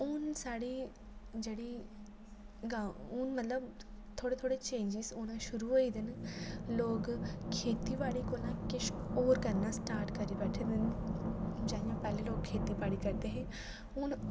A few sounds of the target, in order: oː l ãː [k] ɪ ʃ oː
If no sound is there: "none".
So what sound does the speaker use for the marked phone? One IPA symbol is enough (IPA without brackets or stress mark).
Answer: k